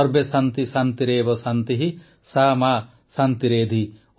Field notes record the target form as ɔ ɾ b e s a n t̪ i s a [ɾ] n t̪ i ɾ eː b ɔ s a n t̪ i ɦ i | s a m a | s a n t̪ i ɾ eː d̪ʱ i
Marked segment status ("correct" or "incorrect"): incorrect